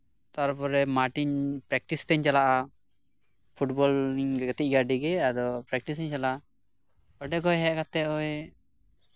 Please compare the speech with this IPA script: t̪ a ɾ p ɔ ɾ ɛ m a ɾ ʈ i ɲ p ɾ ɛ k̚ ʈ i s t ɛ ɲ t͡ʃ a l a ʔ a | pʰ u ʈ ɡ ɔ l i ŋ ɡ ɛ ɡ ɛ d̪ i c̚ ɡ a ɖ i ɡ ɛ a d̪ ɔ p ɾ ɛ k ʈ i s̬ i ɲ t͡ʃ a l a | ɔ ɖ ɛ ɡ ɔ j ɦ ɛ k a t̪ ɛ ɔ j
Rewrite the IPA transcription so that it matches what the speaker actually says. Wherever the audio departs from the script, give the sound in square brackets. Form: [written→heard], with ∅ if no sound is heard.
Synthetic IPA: t̪ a ɾ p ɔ ɾ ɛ m a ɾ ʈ i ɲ p ɾ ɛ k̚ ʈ i s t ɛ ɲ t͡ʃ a l a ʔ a | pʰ u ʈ [ɡ→b] ɔ l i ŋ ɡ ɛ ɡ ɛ [d̪→t̪] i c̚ ɡ a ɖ i ɡ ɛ a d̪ ɔ p ɾ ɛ k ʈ i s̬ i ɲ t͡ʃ a l a | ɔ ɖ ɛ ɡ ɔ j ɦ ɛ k a t̪ ɛ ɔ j

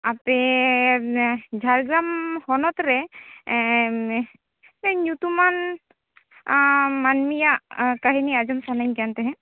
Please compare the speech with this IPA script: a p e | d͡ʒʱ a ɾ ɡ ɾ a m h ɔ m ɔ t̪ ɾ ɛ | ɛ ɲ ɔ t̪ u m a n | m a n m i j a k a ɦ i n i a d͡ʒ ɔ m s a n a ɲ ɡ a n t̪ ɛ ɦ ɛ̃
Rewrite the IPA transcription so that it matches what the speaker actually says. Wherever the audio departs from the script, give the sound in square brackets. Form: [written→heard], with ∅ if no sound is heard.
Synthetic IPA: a p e | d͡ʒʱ a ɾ ɡ ɾ a m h ɔ [m→n] ɔ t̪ ɾ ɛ | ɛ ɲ [ɔ→u] t̪ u m a n | m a n m i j a k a ɦ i n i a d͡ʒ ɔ m s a n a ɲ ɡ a n t̪ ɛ ɦ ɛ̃

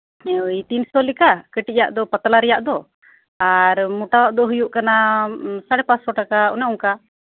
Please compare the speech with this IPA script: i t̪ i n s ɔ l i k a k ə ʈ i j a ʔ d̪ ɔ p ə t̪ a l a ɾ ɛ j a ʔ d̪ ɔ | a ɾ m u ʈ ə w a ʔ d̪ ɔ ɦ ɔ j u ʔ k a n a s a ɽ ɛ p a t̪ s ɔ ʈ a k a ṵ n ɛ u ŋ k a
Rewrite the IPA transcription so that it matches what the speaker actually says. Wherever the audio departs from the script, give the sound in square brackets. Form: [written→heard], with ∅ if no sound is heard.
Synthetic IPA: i t̪ i n s ɔ l i k a k ə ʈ i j a ʔ d̪ ɔ p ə t̪ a l a ɾ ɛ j a ʔ d̪ ɔ | a ɾ m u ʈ [ə→a] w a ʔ d̪ ɔ ɦ [ɔ→u] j u ʔ k a n a s a ɽ ɛ p a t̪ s ɔ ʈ a k a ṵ n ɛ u ŋ k a

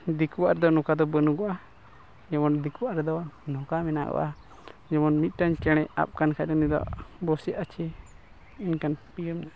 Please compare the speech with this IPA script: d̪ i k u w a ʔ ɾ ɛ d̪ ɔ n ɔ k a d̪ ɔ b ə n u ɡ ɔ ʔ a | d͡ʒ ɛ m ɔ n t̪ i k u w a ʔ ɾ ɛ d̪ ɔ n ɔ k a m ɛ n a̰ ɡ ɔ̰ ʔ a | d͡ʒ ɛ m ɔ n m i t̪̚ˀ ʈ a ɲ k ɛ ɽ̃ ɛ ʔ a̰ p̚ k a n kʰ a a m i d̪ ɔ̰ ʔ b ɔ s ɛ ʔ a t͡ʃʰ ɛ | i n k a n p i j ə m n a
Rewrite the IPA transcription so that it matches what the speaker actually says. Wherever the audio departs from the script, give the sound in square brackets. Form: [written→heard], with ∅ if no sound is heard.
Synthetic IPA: d̪ i k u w a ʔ ɾ ɛ d̪ ɔ n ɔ k a d̪ ɔ b ə n u ɡ ɔ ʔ a | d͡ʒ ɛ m ɔ n [t̪→d̪] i k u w a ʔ ɾ ɛ d̪ ɔ n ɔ k a m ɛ n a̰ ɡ ɔ̰ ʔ a | d͡ʒ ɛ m ɔ n m i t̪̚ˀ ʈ a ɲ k ɛ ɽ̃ ɛ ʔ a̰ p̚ k a n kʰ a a [m→n] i d̪ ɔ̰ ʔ b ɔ s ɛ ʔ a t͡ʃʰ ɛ | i n k a n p i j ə m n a

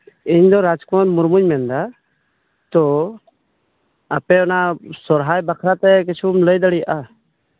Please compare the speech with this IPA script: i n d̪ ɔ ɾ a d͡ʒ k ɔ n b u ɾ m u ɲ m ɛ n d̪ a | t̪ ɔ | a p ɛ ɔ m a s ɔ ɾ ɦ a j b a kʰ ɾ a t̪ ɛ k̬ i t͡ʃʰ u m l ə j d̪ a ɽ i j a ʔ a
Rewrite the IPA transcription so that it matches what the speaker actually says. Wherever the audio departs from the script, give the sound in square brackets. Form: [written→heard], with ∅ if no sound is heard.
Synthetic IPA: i [n→ɲ] d̪ ɔ ɾ a d͡ʒ k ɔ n [b→m] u ɾ m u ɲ m ɛ n d̪ a | t̪ ɔ | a p ɛ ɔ [m→n] a s ɔ ɾ ɦ a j b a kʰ ɾ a t̪ ɛ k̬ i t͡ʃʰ u m l ə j d̪ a ɽ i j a ʔ a

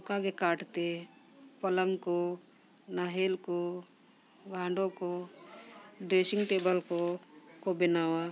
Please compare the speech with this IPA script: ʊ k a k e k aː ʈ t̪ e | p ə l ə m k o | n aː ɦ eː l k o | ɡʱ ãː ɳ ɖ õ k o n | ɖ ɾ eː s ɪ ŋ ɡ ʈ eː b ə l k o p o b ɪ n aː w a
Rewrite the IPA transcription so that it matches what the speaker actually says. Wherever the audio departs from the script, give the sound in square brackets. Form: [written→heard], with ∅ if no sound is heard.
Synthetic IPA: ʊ k a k e k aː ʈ t̪ e | p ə l ə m k o | n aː ɦ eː l k o | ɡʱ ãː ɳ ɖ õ k o [n→∅] | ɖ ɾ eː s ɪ ŋ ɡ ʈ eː b ə l k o [p→k] o b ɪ n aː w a

